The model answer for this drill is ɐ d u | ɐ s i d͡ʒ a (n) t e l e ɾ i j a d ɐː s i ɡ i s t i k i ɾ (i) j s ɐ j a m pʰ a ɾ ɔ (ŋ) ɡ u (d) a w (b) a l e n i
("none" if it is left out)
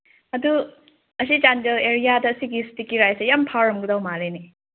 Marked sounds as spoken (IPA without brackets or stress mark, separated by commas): n, a, m, d, m